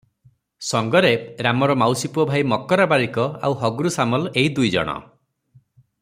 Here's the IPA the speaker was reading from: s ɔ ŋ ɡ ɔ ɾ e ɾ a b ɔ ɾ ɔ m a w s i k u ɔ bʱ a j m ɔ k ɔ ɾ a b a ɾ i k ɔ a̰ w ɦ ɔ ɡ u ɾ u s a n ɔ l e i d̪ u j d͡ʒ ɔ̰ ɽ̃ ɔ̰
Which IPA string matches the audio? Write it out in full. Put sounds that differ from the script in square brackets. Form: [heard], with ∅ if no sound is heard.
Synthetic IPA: s ɔ ŋ ɡ ɔ ɾ e ɾ a [m] ɔ ɾ ɔ m a w s i [p] u ɔ bʱ a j m ɔ k ɔ ɾ a b a ɾ i k ɔ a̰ w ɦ ɔ ɡ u ɾ u s a [m] ɔ l e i d̪ u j d͡ʒ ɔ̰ ɽ̃ ɔ̰